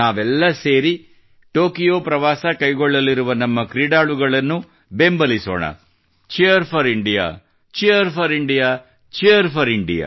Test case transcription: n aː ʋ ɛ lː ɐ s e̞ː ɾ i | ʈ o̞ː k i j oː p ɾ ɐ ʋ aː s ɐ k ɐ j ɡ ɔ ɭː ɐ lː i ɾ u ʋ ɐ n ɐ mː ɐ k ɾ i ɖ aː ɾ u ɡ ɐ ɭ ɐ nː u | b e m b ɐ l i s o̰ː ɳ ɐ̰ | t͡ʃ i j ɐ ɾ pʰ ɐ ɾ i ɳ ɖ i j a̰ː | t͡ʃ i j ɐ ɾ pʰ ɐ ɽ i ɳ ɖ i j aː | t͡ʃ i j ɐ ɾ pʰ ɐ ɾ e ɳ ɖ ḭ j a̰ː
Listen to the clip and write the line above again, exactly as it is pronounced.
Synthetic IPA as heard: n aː ʋ ɛ lː ɐ s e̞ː ɾ i | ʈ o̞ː k i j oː p ɾ ɐ ʋ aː s ɐ k ɐ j ɡ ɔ ɭː ɐ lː i ɾ u ʋ ɐ n ɐ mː ɐ k ɾ i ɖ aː ɭ u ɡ ɐ ɭ ɐ nː u | b e m b ɐ l i s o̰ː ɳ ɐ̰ | t͡ʃ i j ɐ ɾ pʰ ɐ ɾ i ɳ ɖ i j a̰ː | t͡ʃ i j ɐ ɾ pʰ ɐ ɾ i ɳ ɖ i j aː | t͡ʃ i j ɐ ɾ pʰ ɐ ɾ i ɳ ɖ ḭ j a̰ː